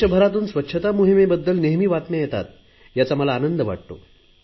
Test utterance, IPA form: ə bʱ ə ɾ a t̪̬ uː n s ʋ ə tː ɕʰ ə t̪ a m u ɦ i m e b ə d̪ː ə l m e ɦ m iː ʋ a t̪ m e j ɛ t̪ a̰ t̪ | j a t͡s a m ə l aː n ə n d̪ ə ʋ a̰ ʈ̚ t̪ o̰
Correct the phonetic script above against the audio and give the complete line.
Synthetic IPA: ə bʱ ə ɾ a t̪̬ uː n s ʋ ə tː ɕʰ ə t̪ a m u ɦ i m e b ə d̪ː ə l n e ɦ m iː ʋ a t̪ m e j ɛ t̪ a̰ t̪ | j a t͡s a m ə l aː n ə n d̪ ə ʋ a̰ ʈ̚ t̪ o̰